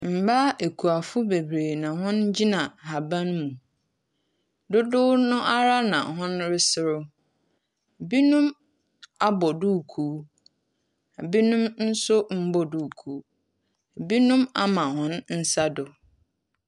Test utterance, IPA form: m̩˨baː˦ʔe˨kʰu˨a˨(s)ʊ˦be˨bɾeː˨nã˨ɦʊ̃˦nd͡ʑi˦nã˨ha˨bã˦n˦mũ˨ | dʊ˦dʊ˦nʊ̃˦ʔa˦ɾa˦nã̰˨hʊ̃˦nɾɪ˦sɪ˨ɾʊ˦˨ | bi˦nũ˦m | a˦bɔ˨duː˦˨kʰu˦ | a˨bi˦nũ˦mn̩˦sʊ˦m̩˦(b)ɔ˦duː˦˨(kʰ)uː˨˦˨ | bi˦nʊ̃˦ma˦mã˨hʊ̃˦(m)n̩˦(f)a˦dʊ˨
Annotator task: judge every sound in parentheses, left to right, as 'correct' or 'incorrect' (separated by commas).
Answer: incorrect, correct, correct, incorrect, incorrect